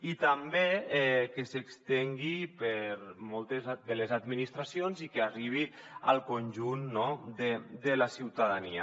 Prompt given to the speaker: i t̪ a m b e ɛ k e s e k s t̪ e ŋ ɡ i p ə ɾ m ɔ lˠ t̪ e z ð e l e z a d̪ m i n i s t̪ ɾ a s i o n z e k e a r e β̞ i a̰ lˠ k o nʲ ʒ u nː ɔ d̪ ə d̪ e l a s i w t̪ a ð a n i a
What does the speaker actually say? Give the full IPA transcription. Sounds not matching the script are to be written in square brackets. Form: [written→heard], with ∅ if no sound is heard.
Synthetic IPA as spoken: i t̪ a m b e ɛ k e s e k s t̪ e ŋ ɡ i p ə ɾ m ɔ lˠ t̪ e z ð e l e z a d̪ m i n i s t̪ ɾ a s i o n z [e→i] k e a r [e→i] β̞ i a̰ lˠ k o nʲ ʒ u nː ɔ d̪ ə d̪ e l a s i w t̪ a ð a n i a

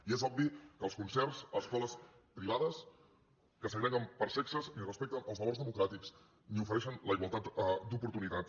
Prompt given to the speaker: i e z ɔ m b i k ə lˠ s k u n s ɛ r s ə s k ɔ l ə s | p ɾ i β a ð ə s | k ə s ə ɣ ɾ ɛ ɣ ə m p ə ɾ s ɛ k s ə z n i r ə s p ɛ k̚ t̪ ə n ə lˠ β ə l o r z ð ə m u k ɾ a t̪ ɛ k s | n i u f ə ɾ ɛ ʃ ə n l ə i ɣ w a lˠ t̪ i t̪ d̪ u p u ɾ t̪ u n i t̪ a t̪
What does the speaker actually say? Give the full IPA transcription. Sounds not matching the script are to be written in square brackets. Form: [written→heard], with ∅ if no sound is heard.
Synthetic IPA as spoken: i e z ɔ [m→b] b i k ə lˠ s k u n s ɛ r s ə s k ɔ l ə s | p ɾ i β a ð ə s | k ə s ə ɣ ɾ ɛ ɣ ə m p ə ɾ s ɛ k s ə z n i r ə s p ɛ k̚ t̪ ə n ə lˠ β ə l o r z ð ə m u k ɾ a t̪ [ɛ→i] k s | n i u f ə ɾ ɛ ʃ ə n l ə i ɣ w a lˠ t̪ [i→a] t̪ d̪ u p u ɾ t̪ u n i t̪ a t̪

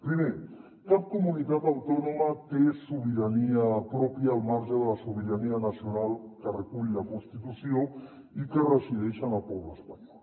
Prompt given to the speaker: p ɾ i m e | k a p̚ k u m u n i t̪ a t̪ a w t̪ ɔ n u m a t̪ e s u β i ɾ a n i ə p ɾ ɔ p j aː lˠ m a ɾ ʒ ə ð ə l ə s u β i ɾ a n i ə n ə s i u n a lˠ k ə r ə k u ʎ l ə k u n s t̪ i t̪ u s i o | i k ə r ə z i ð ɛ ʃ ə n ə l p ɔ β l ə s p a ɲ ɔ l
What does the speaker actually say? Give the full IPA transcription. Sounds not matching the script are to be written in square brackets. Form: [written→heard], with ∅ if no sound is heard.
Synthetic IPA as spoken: p ɾ i m e | k a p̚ k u m u n i t̪ a t̪ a w t̪ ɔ n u m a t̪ e s u β i ɾ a n i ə p ɾ ɔ p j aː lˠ m a ɾ ʒ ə ð ə l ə s u β i ɾ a n i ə n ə s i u n a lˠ k ə r ə k u ʎ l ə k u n s t̪ i t̪ u s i o | i k ə r ə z i ð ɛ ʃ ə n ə l p ɔ β l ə s p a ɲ ɔ l

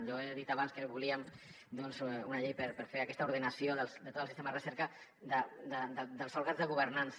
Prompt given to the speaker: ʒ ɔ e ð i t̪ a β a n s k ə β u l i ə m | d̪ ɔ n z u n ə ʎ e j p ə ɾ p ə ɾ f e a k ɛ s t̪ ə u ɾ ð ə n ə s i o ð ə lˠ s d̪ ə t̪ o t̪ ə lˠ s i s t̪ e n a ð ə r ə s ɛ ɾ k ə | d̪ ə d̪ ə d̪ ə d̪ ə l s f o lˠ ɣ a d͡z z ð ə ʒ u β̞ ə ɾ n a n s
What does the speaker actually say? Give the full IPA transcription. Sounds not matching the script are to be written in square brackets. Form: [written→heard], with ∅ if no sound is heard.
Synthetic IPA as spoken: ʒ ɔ e ð i t̪ a β a n s k ə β u l i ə m | d̪ ɔ n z u n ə ʎ e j p ə ɾ p ə ɾ f e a k ɛ s t̪ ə u ɾ ð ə n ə s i o ð ə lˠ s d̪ ə t̪ o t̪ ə lˠ s i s t̪ e [n→m] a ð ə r ə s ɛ ɾ k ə | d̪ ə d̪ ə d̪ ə d̪ ə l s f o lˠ ɣ a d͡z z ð ə [ʒ→ɣ] u β̞ ə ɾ n a n s

